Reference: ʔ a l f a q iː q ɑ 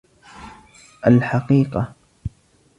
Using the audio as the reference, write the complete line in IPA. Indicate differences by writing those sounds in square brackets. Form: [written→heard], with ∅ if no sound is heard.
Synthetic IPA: ʔ a l [f→ħ] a q iː q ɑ